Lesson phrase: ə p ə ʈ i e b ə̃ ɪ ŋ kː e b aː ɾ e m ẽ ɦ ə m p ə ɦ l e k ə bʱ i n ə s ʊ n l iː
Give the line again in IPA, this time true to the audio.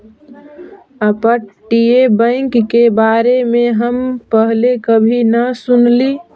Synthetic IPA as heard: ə p ə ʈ i e b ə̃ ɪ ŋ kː e b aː ɾ e m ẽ ɦ ə m p ə ɦ l e k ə bʱ i n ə s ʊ n l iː